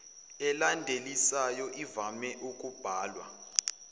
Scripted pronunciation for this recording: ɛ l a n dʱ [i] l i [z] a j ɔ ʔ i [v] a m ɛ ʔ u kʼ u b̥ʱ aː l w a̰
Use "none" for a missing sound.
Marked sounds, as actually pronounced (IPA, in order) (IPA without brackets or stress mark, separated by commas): e, s, v